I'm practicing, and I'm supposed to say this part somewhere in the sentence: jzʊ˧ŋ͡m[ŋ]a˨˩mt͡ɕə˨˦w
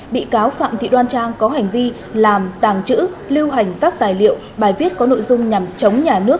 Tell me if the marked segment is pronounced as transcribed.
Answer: no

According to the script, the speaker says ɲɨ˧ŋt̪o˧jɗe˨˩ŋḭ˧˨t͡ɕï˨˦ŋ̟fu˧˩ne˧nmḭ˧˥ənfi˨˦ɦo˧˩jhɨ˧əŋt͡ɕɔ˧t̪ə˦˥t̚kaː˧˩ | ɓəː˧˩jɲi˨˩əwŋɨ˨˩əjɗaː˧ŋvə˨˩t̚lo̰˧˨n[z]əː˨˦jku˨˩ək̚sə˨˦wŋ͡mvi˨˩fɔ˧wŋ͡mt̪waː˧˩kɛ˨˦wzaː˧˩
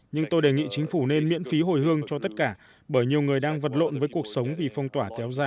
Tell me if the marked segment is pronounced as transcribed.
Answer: no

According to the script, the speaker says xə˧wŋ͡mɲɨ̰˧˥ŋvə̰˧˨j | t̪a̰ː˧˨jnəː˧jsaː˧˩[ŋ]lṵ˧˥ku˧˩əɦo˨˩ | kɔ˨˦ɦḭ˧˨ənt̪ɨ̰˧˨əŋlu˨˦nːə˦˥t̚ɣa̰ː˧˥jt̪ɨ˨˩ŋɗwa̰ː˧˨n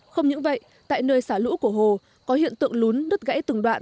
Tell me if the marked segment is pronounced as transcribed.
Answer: no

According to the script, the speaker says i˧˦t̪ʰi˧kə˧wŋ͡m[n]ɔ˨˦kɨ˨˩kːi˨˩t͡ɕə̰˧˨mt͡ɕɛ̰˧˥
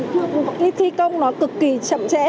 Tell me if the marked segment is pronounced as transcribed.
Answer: yes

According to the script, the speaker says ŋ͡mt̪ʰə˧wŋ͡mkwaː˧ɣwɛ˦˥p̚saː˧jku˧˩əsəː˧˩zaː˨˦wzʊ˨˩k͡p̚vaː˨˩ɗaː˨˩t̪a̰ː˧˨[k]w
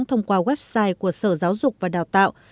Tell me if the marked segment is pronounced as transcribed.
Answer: no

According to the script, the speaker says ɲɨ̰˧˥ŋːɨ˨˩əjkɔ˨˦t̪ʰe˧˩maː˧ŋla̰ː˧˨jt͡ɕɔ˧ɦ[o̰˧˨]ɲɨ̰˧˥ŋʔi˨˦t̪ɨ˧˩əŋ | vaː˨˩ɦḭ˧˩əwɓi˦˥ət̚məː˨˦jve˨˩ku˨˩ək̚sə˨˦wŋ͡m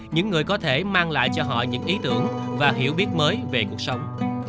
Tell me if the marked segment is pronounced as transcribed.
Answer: no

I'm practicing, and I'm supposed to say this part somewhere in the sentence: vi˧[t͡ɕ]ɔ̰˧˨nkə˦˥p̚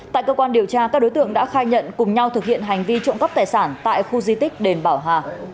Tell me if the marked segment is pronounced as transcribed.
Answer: yes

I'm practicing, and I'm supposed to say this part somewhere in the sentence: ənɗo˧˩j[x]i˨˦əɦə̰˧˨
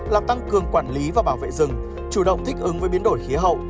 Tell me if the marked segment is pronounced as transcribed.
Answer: yes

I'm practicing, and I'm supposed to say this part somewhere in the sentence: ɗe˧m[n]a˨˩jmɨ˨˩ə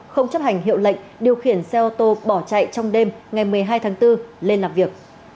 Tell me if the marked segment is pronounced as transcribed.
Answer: no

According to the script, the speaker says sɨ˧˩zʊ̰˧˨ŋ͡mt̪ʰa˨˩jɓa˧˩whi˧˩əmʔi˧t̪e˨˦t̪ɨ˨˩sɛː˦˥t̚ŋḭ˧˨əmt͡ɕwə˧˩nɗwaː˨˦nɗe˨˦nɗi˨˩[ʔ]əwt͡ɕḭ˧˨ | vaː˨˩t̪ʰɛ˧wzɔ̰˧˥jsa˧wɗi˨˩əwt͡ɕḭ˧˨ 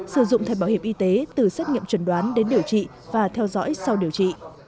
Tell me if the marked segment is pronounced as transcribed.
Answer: no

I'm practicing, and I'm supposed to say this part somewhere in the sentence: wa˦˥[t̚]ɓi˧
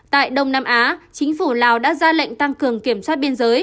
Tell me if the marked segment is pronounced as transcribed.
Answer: yes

